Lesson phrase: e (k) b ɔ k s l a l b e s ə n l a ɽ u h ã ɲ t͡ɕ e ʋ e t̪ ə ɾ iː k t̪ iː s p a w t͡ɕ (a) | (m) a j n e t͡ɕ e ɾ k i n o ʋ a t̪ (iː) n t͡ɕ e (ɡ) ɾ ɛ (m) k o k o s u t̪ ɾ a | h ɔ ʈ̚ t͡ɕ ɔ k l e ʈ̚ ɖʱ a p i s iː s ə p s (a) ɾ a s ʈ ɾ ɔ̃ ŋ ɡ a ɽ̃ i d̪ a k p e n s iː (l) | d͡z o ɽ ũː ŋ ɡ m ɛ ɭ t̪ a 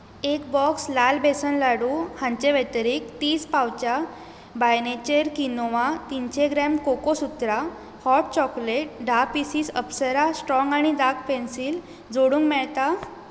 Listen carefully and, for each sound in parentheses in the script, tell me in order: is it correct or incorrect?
correct, correct, incorrect: b, incorrect: i, correct, correct, incorrect: ə, correct

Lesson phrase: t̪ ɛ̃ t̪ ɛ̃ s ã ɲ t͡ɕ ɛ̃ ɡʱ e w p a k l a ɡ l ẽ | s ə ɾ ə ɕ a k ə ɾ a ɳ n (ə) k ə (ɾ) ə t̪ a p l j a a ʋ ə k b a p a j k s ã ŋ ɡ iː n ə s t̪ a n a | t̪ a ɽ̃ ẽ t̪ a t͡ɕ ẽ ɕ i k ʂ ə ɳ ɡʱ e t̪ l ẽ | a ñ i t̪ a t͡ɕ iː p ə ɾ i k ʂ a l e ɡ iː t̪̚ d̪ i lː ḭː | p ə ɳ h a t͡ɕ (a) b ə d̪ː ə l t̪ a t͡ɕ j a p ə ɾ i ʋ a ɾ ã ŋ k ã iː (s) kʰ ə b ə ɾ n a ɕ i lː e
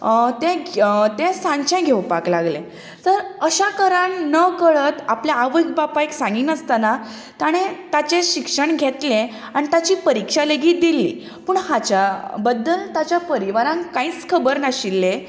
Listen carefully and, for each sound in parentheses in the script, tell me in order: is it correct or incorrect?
correct, incorrect: ɭ, correct, incorrect: t͡s

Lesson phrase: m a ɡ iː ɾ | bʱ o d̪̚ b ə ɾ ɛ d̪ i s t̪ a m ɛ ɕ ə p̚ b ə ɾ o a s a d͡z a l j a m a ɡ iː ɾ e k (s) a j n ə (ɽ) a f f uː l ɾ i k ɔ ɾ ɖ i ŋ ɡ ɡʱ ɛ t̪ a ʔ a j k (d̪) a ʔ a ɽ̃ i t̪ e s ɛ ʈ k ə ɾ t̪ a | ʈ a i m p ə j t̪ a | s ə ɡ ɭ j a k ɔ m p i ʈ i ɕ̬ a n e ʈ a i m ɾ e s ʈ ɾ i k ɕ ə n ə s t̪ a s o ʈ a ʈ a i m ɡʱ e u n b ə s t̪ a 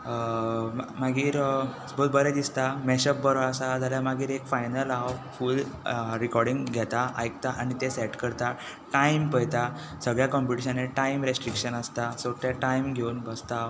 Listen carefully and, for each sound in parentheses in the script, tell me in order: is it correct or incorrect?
incorrect: f, incorrect: l, incorrect: t̪

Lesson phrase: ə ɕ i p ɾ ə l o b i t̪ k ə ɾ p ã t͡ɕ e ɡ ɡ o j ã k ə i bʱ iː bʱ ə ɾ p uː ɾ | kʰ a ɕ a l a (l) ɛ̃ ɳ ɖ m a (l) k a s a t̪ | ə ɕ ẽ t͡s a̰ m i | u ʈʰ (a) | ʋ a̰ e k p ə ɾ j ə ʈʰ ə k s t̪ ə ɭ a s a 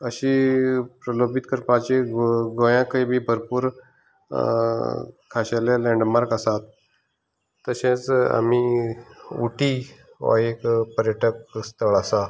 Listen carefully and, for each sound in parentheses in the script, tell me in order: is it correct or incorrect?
correct, incorrect: ɾ, incorrect: i

